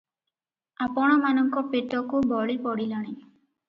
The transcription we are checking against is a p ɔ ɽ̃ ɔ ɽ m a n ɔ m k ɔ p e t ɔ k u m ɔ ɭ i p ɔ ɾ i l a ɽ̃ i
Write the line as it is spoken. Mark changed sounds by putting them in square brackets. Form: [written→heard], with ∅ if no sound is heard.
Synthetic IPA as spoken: a p ɔ ɽ̃ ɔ [ɽ→∅] m a n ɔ [m→ŋ] k ɔ p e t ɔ k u [m→b] ɔ ɭ i p ɔ [ɾ→ɽ] i l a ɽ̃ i